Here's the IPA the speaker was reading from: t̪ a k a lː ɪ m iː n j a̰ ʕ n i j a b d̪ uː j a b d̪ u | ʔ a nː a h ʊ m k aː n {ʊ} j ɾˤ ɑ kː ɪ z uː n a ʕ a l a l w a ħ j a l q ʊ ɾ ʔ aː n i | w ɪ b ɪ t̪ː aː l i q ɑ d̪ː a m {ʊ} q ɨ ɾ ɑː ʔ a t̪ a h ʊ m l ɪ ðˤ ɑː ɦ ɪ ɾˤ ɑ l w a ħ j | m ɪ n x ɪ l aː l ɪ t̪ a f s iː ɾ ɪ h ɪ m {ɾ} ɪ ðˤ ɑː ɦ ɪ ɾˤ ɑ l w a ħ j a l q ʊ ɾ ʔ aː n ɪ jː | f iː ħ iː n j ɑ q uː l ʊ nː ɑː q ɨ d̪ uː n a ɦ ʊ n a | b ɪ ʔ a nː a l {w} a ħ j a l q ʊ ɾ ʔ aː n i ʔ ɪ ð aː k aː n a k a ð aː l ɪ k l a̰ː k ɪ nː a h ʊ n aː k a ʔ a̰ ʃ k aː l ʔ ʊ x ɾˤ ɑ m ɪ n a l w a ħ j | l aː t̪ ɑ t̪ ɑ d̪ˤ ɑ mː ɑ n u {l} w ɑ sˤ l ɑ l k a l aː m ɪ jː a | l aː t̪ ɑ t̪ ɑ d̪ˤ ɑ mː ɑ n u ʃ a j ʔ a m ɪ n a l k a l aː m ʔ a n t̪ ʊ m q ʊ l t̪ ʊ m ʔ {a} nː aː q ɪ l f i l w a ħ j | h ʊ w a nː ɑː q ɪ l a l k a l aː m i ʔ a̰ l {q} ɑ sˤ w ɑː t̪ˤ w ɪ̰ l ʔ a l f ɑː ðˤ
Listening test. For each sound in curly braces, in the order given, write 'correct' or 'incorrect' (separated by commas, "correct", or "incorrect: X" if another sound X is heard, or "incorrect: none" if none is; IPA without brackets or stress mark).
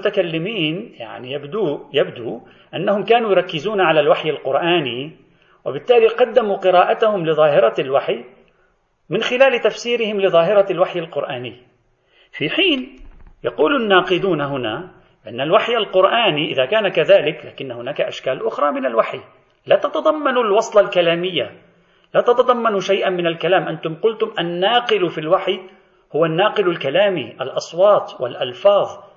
incorrect: u, incorrect: u, incorrect: l, correct, correct, correct, incorrect: ʔ